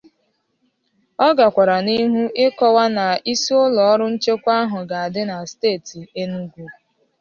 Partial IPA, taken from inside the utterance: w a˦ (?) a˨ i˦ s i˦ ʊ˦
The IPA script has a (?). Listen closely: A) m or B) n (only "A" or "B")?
B